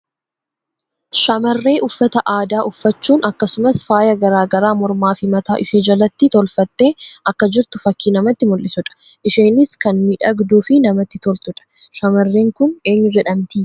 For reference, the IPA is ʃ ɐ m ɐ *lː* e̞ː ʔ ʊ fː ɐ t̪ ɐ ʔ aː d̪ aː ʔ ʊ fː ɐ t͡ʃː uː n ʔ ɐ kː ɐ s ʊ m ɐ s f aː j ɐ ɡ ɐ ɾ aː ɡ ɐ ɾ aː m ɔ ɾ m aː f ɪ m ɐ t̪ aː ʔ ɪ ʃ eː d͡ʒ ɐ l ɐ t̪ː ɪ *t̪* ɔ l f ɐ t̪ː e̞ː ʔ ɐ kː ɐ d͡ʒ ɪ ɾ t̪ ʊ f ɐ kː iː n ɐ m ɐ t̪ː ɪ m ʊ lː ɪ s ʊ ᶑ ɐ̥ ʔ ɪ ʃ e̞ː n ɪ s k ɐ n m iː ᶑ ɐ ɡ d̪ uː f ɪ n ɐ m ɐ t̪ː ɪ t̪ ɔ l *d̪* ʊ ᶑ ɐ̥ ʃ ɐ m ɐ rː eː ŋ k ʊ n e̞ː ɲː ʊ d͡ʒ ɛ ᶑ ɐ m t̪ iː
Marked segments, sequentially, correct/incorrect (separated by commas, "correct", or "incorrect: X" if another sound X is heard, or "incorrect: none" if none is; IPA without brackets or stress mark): incorrect: rː, correct, incorrect: t̪